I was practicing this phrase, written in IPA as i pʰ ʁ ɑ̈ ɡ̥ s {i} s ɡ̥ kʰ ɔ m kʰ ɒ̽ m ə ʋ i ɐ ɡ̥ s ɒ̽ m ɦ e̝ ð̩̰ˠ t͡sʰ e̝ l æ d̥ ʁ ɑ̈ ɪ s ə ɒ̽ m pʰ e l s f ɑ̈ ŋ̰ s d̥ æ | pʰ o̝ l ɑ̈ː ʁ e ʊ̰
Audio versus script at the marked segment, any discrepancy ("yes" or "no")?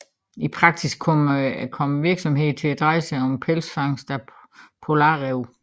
no